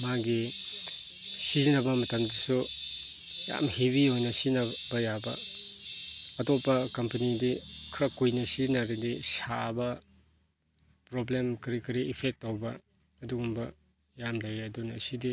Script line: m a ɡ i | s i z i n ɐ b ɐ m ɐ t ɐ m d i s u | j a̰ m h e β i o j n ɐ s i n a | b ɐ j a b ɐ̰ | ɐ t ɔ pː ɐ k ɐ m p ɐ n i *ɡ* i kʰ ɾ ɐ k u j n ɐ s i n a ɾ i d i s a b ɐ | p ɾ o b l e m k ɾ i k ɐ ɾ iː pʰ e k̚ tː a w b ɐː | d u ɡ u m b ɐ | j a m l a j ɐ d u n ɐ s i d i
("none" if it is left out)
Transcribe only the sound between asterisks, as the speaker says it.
d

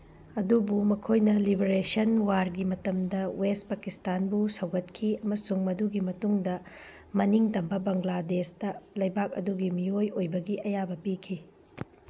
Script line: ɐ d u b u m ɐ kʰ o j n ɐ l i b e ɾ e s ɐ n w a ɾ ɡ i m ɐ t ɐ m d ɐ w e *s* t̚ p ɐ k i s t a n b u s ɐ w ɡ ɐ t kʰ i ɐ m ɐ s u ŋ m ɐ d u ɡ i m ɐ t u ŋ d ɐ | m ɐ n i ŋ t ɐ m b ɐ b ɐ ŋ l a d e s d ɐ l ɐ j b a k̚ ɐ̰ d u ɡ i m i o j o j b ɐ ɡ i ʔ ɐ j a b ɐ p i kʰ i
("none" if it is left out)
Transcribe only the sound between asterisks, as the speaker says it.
s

